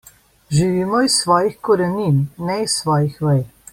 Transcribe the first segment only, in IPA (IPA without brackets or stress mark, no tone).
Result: ʒ